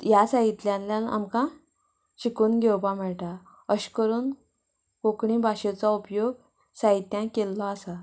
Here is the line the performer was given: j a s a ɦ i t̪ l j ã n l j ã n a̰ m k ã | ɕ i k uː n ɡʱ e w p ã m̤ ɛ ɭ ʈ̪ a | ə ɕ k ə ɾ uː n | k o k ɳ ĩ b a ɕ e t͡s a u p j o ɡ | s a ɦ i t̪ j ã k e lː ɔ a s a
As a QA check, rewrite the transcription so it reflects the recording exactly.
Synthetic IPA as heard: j a s a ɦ i t̪ l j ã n l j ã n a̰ m k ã | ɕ i k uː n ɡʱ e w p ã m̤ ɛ ɭ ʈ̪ a | ə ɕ k ə ɾ uː n | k o k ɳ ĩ b a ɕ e t͡s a u p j o ɡ | s a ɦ i t̪ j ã k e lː ɔ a s a